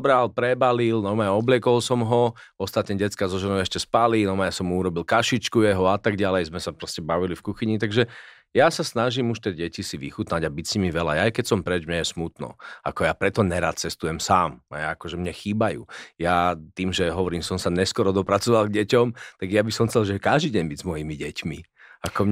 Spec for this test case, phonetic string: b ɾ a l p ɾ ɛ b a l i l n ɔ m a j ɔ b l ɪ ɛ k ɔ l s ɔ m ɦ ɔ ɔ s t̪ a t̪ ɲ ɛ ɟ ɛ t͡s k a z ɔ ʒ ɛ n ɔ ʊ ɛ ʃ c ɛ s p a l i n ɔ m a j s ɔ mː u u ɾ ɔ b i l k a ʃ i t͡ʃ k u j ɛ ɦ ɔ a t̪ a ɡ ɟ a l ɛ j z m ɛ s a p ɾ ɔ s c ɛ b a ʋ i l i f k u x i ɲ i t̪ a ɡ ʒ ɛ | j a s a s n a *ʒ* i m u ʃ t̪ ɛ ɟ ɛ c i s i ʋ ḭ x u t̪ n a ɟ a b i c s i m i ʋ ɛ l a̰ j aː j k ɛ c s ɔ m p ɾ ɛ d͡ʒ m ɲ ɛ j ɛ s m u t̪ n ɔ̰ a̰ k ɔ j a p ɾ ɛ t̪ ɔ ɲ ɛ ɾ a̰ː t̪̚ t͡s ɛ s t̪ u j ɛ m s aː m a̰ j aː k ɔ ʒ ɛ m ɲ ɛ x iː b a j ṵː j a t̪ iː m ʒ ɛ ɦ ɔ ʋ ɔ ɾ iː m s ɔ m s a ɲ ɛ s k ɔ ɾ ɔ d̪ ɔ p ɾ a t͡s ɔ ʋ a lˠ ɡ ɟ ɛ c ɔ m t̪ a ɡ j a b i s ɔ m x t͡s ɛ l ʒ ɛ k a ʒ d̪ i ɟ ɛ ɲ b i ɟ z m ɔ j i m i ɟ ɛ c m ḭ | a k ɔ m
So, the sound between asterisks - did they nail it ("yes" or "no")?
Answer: yes